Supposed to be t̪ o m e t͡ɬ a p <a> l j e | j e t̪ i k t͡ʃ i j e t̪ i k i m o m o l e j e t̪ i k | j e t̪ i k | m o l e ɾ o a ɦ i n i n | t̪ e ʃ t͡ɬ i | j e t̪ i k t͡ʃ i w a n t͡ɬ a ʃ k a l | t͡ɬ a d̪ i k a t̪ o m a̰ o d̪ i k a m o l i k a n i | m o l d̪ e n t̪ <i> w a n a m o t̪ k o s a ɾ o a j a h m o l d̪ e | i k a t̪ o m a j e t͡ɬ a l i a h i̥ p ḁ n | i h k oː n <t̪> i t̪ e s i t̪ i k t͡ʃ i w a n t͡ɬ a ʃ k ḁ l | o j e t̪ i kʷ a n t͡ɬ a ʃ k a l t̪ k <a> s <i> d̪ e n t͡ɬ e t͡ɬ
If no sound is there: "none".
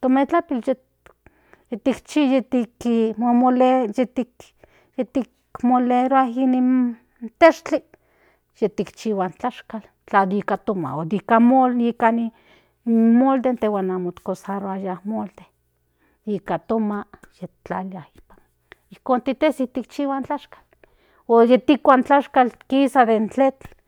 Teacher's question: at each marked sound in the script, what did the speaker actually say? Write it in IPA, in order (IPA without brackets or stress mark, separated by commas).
i, e, t̪, i, a